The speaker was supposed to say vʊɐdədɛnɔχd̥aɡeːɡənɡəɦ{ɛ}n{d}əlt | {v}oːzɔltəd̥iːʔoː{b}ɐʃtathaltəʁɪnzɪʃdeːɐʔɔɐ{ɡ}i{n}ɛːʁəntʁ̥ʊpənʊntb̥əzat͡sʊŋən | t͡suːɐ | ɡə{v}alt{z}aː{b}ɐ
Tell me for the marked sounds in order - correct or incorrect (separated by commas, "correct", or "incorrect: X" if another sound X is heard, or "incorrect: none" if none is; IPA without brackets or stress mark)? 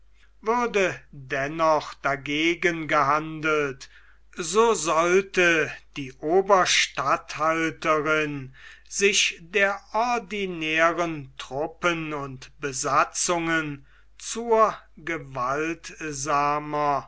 incorrect: a, correct, incorrect: z, correct, incorrect: d, correct, correct, correct, incorrect: m